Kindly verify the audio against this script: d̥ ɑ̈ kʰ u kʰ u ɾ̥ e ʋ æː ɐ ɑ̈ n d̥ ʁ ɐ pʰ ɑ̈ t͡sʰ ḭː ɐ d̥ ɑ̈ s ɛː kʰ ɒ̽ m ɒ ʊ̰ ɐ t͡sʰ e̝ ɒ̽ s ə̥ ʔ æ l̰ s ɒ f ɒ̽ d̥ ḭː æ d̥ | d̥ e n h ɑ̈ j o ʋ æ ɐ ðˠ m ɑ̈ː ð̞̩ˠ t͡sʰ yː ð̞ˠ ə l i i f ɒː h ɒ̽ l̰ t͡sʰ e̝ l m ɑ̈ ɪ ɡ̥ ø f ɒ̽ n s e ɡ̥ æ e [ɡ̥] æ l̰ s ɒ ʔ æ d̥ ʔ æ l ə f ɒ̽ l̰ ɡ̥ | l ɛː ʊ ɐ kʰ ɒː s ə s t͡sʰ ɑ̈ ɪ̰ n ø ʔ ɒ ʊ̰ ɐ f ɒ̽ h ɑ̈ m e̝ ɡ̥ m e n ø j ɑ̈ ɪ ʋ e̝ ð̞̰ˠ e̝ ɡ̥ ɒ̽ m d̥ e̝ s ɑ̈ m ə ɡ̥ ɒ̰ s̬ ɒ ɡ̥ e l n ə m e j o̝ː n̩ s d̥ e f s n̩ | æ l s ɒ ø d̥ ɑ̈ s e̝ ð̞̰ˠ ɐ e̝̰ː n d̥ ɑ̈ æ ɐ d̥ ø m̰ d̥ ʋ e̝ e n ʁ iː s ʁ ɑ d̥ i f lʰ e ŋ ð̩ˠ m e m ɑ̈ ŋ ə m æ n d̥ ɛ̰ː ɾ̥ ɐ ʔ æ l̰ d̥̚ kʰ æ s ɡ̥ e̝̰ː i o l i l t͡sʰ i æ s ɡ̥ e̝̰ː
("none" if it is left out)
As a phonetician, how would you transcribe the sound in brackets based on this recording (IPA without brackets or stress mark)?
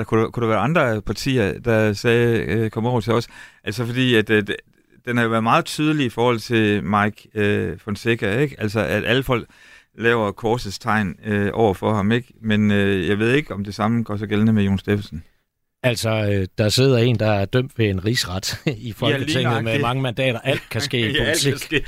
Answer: ɡ̥